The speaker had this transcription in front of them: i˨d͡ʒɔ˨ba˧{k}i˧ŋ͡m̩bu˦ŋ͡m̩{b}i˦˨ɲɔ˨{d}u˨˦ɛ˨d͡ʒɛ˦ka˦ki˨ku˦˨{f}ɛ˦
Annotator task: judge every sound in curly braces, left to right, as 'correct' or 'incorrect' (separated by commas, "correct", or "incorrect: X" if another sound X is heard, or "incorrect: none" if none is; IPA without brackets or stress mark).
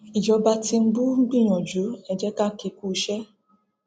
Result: incorrect: t, incorrect: ɡ͡b, incorrect: d͡ʒ, incorrect: ʃ